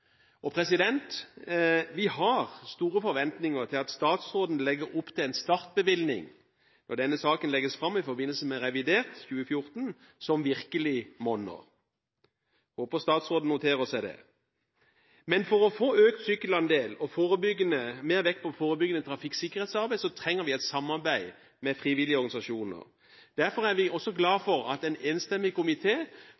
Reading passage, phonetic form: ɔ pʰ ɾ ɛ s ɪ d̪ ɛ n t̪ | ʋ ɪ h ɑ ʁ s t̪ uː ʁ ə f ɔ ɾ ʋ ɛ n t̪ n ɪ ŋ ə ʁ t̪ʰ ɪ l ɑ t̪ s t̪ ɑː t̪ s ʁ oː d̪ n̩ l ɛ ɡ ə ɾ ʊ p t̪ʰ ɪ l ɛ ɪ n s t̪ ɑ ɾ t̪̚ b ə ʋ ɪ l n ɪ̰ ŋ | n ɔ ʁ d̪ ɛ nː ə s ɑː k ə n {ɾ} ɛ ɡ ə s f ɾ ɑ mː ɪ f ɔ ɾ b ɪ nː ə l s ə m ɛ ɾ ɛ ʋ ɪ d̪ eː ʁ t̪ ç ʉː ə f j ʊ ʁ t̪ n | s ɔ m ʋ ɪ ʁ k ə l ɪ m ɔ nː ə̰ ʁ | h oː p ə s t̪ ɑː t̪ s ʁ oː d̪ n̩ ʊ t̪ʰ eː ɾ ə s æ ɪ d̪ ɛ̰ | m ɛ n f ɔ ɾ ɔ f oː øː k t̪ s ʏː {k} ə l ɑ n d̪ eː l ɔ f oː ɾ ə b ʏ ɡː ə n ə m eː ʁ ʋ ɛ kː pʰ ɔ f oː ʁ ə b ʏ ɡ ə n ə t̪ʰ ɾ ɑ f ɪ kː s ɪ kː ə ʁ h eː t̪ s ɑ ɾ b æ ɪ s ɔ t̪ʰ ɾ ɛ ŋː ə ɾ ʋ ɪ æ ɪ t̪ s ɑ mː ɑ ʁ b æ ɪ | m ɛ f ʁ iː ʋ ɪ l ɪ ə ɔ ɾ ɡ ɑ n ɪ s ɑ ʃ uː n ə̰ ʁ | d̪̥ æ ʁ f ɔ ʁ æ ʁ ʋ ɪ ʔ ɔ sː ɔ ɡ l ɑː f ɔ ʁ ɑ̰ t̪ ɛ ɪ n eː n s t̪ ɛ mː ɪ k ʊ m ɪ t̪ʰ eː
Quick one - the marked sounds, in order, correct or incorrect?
incorrect, correct

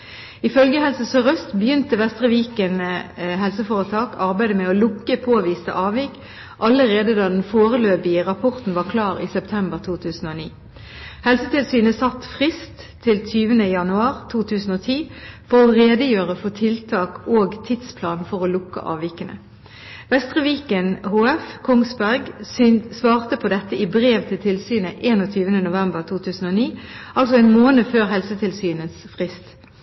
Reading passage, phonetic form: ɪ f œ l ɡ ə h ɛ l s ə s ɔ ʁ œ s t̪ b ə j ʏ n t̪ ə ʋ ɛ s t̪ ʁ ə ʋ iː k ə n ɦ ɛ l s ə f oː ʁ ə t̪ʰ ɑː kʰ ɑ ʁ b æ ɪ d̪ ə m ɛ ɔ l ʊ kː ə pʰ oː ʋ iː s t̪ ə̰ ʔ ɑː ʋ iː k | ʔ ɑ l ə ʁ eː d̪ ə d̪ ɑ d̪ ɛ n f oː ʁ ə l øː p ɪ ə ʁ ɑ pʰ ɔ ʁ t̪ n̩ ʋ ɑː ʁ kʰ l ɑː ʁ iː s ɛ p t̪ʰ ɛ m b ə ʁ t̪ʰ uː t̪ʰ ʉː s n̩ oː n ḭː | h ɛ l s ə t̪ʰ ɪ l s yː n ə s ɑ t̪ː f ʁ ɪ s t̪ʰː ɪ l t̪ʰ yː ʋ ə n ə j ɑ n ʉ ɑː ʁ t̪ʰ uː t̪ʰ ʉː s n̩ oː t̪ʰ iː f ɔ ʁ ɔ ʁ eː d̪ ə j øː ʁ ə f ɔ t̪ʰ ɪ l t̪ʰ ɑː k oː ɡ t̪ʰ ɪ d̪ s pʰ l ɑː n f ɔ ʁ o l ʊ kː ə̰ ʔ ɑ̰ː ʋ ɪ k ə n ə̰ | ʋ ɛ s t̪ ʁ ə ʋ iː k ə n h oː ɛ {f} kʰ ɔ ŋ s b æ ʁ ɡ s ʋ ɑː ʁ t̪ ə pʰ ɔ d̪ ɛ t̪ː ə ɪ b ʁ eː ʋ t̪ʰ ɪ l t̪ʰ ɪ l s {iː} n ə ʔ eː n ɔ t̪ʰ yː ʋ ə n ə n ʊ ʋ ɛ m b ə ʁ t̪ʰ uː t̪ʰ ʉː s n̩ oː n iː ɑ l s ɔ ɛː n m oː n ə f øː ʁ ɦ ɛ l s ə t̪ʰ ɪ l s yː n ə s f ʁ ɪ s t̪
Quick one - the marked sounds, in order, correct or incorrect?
correct, incorrect

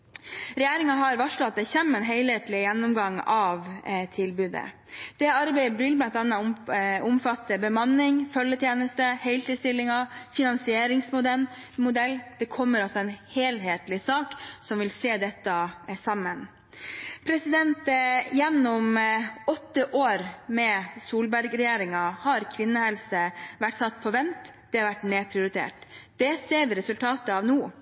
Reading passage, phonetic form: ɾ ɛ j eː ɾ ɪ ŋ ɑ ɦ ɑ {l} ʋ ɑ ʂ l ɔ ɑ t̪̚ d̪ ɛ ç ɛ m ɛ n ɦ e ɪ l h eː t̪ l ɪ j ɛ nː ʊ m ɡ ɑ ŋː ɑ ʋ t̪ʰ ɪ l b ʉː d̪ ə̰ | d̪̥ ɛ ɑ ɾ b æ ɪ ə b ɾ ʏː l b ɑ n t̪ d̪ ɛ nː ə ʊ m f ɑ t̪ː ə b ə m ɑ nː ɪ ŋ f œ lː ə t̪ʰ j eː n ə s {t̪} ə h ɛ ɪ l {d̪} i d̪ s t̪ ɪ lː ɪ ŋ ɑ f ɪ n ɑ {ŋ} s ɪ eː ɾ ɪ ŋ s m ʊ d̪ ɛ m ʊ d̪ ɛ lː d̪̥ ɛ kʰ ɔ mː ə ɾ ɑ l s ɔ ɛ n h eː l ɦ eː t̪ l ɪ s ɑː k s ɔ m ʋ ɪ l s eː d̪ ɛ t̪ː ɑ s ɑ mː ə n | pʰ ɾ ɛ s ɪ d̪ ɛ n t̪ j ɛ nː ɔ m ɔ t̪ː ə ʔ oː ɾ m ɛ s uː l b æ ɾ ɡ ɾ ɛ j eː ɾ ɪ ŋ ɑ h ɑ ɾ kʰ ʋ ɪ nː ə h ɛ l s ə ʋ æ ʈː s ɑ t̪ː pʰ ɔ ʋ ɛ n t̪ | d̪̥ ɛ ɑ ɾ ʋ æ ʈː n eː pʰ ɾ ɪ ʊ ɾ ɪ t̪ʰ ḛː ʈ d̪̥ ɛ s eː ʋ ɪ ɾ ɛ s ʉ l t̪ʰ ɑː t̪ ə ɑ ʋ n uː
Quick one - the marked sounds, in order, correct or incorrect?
incorrect, correct, incorrect, incorrect

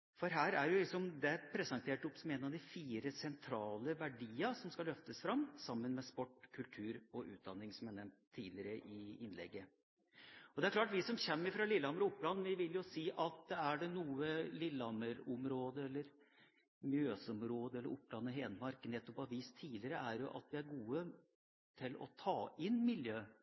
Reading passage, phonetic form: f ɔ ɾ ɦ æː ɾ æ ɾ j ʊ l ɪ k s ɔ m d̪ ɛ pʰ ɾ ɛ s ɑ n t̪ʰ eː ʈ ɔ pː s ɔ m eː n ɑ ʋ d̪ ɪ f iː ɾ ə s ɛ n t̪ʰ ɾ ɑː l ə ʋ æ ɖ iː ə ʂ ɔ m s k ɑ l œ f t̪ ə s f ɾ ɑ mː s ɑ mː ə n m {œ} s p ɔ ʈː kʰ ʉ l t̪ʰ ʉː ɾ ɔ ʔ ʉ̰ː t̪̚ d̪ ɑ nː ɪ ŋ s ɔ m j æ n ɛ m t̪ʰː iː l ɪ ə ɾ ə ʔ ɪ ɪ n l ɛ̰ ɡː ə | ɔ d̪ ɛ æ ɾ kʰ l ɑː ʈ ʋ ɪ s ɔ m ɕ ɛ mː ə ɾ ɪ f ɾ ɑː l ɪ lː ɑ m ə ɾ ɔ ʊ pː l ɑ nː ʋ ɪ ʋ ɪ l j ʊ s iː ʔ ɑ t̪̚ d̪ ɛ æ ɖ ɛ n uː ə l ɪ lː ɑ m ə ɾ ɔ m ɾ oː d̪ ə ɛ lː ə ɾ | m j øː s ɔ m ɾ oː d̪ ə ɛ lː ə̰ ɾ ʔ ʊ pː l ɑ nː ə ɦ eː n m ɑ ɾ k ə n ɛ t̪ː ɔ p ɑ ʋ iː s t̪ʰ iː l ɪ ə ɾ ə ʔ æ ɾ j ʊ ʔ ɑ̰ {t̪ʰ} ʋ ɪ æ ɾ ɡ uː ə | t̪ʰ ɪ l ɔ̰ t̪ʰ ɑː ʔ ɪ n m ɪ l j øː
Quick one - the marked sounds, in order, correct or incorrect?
incorrect, incorrect

